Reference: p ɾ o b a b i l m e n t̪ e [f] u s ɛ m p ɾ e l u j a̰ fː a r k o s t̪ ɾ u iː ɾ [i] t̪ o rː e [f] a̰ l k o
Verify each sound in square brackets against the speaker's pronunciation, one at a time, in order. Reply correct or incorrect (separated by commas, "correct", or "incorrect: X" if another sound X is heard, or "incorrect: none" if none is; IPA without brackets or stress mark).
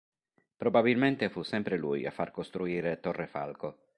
correct, incorrect: e, correct